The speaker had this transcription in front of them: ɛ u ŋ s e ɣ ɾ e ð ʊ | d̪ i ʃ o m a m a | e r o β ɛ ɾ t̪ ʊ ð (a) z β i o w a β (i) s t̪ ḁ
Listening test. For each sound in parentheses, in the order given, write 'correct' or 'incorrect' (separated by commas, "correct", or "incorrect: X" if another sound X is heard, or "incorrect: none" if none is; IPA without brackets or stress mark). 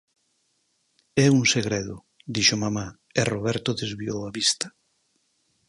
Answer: incorrect: e, correct